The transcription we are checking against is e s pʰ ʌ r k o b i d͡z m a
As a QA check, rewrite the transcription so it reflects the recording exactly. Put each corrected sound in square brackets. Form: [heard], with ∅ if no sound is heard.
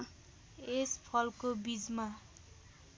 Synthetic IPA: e s pʰ ʌ [l] k o b i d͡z m a